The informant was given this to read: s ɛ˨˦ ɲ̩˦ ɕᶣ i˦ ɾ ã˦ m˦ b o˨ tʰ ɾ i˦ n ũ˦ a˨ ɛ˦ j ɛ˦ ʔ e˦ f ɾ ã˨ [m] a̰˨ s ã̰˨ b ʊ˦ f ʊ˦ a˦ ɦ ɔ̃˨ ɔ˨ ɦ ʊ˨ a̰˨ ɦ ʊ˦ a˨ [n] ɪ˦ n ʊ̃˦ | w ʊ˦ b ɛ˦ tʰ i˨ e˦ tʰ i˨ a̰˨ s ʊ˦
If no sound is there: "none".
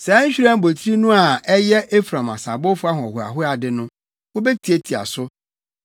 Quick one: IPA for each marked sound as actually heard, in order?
m, d

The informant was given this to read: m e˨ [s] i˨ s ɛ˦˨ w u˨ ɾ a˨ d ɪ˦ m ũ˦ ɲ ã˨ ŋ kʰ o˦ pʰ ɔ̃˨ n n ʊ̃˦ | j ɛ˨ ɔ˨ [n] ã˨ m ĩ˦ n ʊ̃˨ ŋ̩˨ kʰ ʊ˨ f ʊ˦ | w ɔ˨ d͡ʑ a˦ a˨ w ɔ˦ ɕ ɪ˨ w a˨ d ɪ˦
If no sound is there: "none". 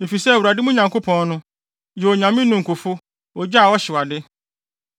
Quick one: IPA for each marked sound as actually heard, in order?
f, ɲ

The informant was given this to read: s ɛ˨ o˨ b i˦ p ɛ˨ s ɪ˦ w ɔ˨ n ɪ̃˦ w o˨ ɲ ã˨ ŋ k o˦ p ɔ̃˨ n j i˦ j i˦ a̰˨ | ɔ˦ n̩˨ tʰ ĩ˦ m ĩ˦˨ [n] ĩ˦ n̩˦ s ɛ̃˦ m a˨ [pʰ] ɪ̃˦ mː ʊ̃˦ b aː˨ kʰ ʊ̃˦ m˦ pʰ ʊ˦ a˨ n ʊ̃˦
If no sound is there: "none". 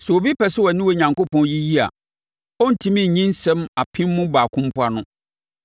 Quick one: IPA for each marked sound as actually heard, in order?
ɲ, pʰ

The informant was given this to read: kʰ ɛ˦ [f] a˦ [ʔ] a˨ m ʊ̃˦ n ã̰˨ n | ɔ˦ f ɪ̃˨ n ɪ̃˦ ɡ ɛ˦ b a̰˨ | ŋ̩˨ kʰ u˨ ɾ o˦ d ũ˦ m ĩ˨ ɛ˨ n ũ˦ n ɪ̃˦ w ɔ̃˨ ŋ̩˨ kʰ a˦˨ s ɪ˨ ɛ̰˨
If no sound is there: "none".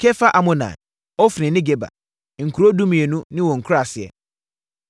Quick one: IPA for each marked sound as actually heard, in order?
f, ʔ

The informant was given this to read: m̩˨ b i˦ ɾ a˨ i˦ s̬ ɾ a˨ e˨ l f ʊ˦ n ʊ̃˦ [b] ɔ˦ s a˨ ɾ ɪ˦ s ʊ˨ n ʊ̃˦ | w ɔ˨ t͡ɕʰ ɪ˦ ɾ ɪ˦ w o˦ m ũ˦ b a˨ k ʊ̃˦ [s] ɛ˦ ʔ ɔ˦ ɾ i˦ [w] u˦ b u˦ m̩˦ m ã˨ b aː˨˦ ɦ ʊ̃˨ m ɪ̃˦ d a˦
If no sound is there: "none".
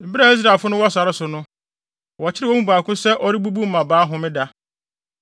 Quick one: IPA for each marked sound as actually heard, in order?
w, s, b

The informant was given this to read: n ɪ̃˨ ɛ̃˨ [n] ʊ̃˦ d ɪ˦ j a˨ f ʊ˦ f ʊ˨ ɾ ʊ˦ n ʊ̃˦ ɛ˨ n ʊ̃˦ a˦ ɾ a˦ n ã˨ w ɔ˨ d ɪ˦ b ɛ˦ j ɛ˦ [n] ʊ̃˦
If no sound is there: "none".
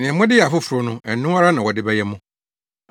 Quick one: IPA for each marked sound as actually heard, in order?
m, m

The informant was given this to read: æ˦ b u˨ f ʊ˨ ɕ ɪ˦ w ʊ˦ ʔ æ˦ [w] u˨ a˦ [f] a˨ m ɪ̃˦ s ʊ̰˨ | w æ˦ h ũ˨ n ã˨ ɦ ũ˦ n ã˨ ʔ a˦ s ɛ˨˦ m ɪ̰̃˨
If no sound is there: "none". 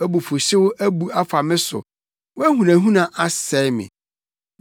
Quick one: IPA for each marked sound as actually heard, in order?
b, f

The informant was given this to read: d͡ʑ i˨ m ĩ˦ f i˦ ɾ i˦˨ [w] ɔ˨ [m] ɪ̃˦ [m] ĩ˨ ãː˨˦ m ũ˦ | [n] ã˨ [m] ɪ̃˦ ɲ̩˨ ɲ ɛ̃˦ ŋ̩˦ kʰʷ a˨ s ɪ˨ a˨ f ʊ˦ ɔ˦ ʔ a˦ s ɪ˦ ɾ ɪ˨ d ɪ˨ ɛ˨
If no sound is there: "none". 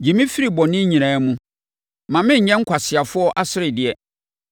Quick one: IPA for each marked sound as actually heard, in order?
b, n, ɲ, m, m

